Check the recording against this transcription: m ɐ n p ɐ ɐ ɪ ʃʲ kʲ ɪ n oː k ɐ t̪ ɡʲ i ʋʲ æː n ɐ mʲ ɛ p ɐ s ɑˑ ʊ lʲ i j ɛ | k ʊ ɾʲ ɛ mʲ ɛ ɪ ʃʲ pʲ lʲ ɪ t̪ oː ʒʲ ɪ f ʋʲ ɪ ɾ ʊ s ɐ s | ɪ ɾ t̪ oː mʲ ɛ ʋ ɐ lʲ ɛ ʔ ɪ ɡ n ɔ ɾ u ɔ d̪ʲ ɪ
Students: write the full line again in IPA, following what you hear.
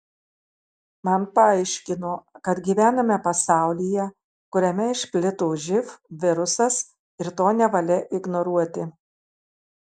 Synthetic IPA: m ɐ n p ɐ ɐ ɪ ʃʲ kʲ ɪ n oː k ɐ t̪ ɡʲ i ʋʲ æː n ɐ mʲ ɛ p ɐ s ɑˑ ʊ lʲ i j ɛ | k ʊ ɾʲ ɛ mʲ ɛ ɪ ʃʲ pʲ lʲ ɪ t̪ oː ʒʲ ɪ f ʋʲ ɪ ɾ ʊ s ɐ s | ɪ ɾ t̪ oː nʲ ɛ ʋ ɐ lʲ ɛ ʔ ɪ ɡ n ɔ ɾ u ɔ t̪ʲ ɪ

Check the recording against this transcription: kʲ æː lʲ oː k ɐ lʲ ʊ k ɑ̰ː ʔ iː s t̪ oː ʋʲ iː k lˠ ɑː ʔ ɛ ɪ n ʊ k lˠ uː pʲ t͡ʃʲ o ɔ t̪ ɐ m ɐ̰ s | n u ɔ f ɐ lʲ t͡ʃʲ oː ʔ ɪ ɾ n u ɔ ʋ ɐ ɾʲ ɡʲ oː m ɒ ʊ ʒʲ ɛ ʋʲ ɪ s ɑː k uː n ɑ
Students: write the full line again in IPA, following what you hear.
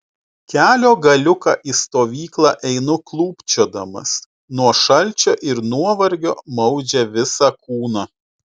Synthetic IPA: kʲ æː lʲ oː ɡ ɐ lʲ ʊ k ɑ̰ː ʔ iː s t̪ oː ʋʲ iː k lˠ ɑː ʔ ɛ ɪ n ʊ k lˠ uː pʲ t͡ʃʲ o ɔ d̪ ɐ m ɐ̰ s | n u ɔ ʃ ɐ lʲ t͡ʃʲ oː ʔ ɪ ɾ n u ɔ ʋ ɐ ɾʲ ɡʲ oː m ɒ ʊ d͡ʒʲ ɛ ʋʲ ɪ s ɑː k uː n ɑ

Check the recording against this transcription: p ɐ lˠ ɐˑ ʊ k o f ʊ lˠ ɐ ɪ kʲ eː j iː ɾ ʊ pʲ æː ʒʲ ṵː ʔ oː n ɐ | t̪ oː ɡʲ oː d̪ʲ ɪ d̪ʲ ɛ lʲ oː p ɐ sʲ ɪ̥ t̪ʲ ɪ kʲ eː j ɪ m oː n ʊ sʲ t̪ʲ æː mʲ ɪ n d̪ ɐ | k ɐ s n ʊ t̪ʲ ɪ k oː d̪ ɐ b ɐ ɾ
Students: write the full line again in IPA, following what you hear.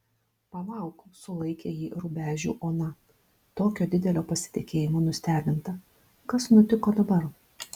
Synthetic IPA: p ɐ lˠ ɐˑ ʊ k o s ʊ lˠ ɐ ɪ kʲ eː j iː ɾ ʊ bʲ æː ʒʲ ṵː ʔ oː n ɐ | t̪ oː kʲ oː d̪ʲ ɪ d̪ʲ ɛ lʲ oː p ɐ sʲ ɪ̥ t̪ʲ ɪ kʲ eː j ɪ m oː n ʊ sʲ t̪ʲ æː bʲ ɪ n t̪ ɐ | k ɐ s n ʊ t̪ʲ ɪ k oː d̪ ɐ b ɐ ɾ

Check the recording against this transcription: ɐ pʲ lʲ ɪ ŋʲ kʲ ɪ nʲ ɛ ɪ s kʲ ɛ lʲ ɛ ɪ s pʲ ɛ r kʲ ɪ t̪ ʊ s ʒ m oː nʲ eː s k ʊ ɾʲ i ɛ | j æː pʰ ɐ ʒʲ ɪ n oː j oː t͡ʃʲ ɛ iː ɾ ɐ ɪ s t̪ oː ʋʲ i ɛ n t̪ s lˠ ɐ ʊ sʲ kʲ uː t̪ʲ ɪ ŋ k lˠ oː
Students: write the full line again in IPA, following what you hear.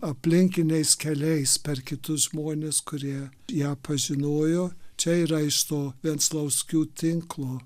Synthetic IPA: ɐ pʲ lʲ ɪ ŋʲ kʲ ɪ nʲ ɛ ɪ s kʲ ɛ lʲ ɛ ɪ s pʲ ɛ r kʲ ɪ t̪ ʊ s ʒ m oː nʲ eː s k ʊ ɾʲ i ɛ | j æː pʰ ɐ ʒʲ ɪ n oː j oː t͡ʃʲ ɛ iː ɾ ɐ ɪ ʃ t̪ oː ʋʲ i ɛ n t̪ s lˠ ɐ ʊ sʲ kʲ uː t̪ʲ ɪ ŋ k lˠ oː

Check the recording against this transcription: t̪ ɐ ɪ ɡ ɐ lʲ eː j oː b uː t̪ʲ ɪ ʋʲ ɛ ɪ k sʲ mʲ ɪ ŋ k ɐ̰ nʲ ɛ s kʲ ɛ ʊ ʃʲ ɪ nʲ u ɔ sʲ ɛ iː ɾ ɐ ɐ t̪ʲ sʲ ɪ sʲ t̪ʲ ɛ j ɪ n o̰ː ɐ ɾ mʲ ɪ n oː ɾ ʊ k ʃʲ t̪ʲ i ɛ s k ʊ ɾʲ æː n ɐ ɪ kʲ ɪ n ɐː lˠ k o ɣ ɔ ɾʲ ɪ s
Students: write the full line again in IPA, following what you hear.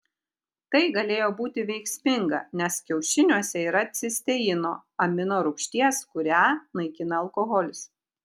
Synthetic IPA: t̪ ɐ ɪ ɡ ɐ lʲ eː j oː b uː t̪ʲ ɪ ʋʲ ɛ ɪ k sʲ mʲ ɪ ŋ ɡ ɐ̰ nʲ ɛ s kʲ ɛ ʊ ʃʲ ɪ nʲ u ɔ sʲ ɛ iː ɾ ɐ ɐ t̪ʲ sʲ ɪ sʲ t̪ʲ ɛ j ɪ n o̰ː ɐ mʲ ɪ n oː ɾ ʊ k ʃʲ t̪ʲ i ɛ s k ʊ ɾʲ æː n ɐ ɪ kʲ ɪ n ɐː lˠ k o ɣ ɔ lʲ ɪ s

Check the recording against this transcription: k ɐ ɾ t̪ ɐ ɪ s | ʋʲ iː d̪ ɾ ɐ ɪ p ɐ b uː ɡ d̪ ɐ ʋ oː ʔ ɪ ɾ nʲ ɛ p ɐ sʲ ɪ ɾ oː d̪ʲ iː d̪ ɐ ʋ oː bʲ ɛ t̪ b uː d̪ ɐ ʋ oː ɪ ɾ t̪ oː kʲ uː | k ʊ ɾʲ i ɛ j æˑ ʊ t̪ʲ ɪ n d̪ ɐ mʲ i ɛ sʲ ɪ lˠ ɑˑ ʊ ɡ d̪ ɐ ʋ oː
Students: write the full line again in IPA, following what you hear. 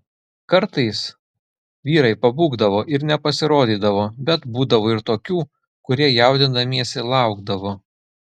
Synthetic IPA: k ɐ ɾ t̪ ɐ ɪ s | ʋʲ iː ɾ ɐ ɪ p ɐ b uː ɡ d̪ ɐ ʋ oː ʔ ɪ ɾ nʲ ɛ p ɐ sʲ ɪ ɾ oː d̪ʲ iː d̪ ɐ ʋ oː bʲ ɛ t̪ b uː d̪ ɐ ʋ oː ɪ ɾ t̪ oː kʲ uː | k ʊ ɾʲ i ɛ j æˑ ʊ d̪ʲ ɪ n d̪ ɐ mʲ i ɛ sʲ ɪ lˠ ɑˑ ʊ ɡ d̪ ɐ ʋ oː

